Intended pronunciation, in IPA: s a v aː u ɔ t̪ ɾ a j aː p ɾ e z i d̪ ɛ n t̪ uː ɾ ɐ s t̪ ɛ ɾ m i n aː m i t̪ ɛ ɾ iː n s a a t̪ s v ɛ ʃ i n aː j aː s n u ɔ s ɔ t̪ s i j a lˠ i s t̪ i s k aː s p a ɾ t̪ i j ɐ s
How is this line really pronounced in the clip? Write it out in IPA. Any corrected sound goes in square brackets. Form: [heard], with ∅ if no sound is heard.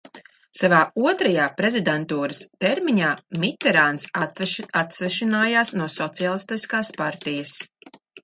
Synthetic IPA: s a v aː u ɔ t̪ ɾ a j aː p ɾ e z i d̪ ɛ n t̪ uː ɾ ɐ s t̪ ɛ ɾ m i [ɲ] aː m i t̪ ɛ ɾ [aː] n s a a t̪ s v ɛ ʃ i n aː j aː s n u ɔ s ɔ t̪ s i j a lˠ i s t̪ i s k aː s p a ɾ t̪ i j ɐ s